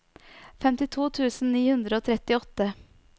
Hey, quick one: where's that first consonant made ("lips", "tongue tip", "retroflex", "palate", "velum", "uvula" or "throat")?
lips